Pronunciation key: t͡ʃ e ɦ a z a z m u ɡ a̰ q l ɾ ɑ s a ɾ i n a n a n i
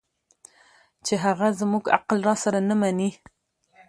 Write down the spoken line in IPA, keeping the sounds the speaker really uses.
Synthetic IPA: t͡ʃ e ɦ a ɣ a z m u ɡ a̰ q l ɾ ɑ s a ɾ a n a m a n i